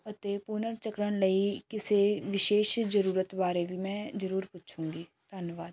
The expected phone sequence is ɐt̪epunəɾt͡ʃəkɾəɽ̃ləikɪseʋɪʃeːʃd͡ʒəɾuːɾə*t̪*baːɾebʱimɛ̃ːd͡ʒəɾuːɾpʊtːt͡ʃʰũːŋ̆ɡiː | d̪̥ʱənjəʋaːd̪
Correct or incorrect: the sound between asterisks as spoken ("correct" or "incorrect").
correct